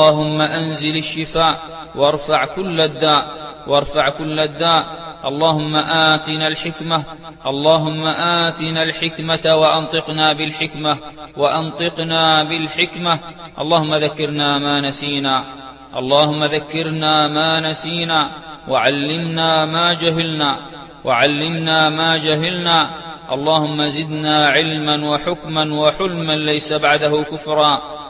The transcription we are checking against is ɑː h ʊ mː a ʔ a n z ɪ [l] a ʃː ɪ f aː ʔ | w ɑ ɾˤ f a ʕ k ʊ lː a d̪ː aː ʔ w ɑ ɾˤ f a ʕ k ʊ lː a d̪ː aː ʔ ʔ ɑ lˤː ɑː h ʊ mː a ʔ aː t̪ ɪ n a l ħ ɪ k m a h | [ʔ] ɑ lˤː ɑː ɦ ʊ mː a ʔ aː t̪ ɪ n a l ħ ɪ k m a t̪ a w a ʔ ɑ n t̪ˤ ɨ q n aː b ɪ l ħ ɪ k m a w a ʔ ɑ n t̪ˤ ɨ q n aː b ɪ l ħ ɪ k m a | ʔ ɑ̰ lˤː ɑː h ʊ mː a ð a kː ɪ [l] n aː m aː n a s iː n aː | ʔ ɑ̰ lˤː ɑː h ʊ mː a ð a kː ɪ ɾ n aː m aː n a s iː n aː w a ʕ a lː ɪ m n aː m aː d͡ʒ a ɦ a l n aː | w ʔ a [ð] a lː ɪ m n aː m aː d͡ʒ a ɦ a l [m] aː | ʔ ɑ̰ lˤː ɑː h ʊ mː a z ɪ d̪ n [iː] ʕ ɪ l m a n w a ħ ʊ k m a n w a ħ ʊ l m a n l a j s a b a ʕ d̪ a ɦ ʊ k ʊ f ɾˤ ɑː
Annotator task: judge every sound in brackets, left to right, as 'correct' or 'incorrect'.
correct, correct, incorrect: ɾ, incorrect: ʕ, incorrect: n, incorrect: aː

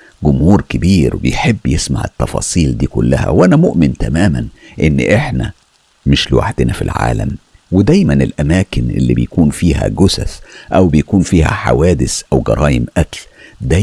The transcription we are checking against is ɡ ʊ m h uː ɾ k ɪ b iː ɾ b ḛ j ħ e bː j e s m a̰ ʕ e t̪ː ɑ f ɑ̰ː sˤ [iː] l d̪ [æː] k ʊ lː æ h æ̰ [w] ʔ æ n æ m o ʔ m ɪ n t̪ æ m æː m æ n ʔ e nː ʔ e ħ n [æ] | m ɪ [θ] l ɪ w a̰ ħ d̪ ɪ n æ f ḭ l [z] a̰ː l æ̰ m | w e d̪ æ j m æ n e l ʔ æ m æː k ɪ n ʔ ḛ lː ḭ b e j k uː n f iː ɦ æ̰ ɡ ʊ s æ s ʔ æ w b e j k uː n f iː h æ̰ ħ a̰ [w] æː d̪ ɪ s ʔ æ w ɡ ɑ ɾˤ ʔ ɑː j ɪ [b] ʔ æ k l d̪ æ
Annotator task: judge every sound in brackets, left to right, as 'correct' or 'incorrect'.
correct, incorrect: iː, correct, correct, incorrect: ʃ, incorrect: ʕ, correct, incorrect: m

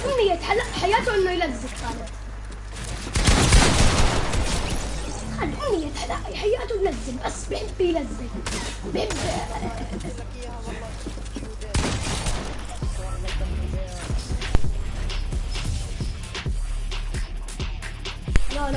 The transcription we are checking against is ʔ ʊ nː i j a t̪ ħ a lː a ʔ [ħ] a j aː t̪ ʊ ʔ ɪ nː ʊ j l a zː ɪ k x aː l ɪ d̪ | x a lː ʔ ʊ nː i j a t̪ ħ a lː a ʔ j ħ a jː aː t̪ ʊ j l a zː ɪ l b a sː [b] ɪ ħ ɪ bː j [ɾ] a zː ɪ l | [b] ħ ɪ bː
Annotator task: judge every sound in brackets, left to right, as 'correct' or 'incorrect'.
correct, correct, incorrect: l, correct

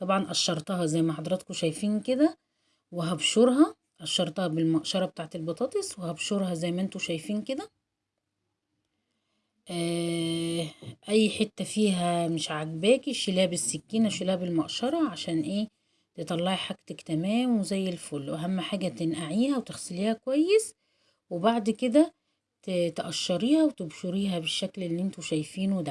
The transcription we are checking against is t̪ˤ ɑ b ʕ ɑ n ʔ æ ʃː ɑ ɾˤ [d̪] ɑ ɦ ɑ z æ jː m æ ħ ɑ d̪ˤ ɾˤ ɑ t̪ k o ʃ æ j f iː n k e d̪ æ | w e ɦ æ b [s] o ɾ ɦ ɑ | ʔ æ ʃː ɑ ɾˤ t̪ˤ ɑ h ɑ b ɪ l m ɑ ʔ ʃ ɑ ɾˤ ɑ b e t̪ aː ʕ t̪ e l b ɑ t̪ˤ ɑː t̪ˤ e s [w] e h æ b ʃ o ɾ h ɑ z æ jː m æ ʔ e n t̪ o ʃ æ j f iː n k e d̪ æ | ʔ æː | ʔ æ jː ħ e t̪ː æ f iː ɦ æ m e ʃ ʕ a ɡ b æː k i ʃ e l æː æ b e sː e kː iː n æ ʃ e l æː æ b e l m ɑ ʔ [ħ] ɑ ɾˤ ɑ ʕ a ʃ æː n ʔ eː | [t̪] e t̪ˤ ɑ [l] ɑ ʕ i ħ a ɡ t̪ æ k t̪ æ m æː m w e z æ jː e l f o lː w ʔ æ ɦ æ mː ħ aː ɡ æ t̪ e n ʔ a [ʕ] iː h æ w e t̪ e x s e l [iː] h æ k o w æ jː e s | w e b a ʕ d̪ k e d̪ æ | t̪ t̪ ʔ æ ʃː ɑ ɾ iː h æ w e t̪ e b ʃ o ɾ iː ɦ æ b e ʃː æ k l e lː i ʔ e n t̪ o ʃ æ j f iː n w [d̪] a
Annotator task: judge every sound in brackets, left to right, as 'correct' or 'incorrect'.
incorrect: t̪, incorrect: ʃ, correct, incorrect: ʃ, correct, incorrect: lː, correct, correct, correct

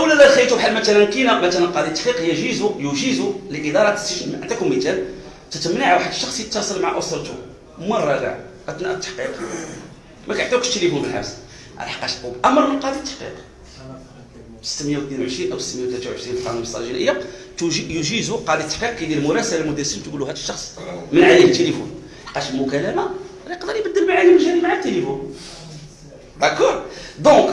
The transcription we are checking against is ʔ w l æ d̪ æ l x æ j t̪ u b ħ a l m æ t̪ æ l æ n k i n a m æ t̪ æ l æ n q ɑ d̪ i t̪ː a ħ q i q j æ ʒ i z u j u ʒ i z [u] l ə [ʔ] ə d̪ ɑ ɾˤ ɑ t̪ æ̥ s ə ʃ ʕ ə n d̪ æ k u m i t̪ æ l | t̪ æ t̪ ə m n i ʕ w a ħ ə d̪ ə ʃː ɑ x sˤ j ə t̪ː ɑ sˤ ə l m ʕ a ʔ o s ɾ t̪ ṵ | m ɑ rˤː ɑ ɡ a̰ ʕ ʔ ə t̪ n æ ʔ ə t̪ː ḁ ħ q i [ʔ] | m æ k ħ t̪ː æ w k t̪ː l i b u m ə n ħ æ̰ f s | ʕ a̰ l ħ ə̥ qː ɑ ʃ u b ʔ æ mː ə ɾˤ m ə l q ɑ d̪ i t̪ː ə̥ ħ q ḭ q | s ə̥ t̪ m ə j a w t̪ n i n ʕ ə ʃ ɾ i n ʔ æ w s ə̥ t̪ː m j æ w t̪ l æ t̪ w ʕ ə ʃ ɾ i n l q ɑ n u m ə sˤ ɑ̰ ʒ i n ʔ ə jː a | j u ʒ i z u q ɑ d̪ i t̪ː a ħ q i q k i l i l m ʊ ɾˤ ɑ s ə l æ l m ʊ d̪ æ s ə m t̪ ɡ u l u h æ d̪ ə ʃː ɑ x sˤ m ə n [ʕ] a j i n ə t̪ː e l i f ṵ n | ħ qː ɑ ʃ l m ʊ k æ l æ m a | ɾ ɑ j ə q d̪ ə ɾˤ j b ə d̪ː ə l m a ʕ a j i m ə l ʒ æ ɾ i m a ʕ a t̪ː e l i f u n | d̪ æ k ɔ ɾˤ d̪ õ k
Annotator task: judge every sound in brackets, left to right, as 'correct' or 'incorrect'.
correct, correct, incorrect: q, correct

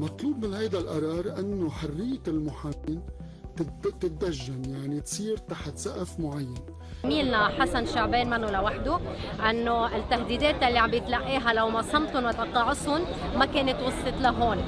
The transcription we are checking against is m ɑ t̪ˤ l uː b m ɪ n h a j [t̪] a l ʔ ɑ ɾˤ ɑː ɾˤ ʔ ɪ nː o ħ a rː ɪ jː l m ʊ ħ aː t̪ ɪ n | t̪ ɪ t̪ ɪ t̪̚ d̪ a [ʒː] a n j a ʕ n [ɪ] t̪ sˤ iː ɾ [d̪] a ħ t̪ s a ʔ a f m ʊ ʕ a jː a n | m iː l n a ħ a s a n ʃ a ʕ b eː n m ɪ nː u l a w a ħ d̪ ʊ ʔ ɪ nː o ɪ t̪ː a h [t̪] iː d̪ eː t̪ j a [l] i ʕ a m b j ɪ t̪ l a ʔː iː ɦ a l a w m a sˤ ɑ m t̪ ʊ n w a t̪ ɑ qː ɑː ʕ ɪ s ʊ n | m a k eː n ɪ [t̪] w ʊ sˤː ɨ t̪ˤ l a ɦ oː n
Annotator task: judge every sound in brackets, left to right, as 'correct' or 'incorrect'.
incorrect: d̪, correct, incorrect: i, incorrect: t̪, incorrect: d̪, incorrect: lː, correct

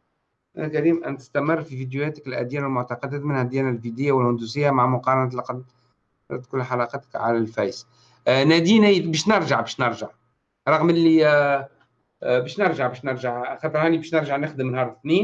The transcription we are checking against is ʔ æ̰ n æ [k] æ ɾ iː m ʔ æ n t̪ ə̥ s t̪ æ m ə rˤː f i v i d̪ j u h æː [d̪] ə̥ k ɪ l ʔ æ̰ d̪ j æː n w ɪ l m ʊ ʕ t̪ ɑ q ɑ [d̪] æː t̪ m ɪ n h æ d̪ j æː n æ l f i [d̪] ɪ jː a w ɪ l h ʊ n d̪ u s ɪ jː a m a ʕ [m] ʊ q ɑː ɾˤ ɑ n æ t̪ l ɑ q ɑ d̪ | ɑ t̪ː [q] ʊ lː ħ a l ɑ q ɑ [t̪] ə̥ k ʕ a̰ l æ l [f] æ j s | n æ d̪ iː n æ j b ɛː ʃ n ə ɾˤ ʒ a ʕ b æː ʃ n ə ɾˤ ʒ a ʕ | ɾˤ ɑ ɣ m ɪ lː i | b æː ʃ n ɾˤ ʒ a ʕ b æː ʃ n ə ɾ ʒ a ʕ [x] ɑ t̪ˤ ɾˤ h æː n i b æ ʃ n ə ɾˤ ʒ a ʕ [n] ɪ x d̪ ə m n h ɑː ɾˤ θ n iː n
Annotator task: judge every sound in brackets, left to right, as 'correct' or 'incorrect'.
correct, incorrect: t̪, correct, correct, correct, incorrect: k, correct, correct, correct, correct

